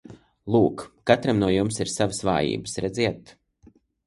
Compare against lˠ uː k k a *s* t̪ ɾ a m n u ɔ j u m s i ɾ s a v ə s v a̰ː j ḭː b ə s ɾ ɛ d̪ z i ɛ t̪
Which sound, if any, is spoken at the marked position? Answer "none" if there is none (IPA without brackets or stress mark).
none